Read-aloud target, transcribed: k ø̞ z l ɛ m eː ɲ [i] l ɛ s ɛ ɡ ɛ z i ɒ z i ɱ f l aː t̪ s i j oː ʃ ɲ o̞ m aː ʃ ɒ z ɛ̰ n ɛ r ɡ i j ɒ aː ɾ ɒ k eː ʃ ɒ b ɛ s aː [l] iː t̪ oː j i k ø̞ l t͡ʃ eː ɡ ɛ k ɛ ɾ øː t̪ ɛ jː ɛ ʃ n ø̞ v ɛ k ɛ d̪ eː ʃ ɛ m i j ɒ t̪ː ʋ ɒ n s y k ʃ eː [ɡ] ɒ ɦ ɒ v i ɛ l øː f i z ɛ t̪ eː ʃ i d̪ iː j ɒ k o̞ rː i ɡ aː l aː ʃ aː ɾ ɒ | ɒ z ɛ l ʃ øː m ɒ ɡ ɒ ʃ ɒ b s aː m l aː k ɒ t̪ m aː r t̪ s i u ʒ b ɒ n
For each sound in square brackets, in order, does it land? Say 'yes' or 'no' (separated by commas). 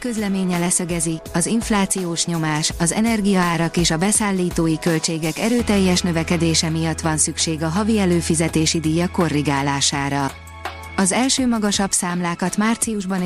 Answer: no, no, yes